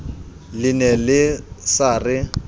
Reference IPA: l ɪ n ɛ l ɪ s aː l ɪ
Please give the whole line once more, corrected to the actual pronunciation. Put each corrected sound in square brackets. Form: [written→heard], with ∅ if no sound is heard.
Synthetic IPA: l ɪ n ɛ l ɪ s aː [l→r] ɪ